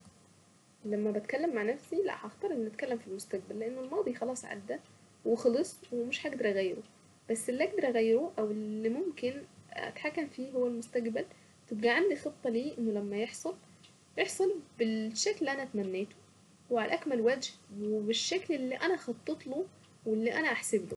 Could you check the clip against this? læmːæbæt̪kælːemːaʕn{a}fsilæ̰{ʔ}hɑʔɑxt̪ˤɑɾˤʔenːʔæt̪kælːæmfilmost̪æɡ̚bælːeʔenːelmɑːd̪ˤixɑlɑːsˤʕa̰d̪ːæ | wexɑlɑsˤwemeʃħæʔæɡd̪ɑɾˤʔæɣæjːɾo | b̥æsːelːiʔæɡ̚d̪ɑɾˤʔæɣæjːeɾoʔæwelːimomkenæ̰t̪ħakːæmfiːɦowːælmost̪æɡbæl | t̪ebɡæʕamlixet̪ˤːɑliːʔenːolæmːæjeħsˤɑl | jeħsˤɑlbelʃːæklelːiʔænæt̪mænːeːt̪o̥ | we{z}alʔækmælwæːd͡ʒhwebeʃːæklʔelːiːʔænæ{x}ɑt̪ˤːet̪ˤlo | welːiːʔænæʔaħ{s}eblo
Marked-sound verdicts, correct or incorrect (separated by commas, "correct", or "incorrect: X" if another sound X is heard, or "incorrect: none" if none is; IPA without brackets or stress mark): incorrect: æ, correct, incorrect: ʕ, correct, correct